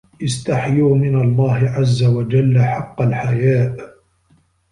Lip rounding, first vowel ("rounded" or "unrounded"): unrounded